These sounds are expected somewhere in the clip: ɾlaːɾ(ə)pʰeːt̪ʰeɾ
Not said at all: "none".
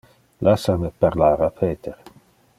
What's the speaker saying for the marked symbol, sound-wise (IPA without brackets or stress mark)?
a